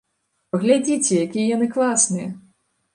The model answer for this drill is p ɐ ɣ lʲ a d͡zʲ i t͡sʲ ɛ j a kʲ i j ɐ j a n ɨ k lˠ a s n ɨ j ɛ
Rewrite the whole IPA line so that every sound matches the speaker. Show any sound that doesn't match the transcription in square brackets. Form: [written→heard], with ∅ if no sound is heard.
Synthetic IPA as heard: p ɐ ɣ lʲ a d͡zʲ i t͡sʲ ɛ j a kʲ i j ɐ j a n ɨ k lˠ a s n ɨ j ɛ